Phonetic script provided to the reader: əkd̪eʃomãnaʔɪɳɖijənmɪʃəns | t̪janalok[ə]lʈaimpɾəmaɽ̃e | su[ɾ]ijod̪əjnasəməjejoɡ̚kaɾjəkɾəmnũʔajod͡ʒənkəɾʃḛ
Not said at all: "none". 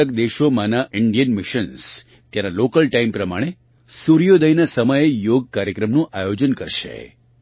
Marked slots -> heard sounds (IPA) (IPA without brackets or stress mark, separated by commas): ə, ɾ